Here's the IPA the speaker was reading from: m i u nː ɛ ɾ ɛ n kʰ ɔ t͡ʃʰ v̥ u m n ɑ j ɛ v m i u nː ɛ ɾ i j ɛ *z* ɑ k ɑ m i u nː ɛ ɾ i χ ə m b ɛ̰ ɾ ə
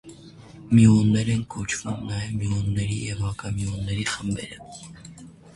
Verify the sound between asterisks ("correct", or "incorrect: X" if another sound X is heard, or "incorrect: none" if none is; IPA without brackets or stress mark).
incorrect: v